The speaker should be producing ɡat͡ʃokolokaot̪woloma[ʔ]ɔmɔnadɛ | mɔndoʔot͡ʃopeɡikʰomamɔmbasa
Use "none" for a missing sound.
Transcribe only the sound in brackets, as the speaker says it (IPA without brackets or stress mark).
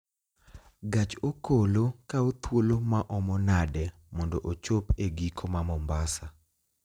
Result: ʔ